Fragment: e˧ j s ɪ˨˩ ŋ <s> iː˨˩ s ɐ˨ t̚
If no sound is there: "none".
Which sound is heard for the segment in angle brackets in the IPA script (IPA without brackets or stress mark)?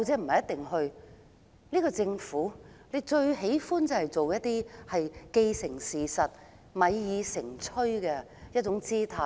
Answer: s